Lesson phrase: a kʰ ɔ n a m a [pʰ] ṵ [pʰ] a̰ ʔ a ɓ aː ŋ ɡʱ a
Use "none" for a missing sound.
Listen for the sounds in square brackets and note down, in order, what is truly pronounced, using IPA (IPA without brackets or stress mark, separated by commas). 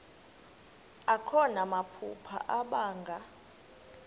pʰ, pʰ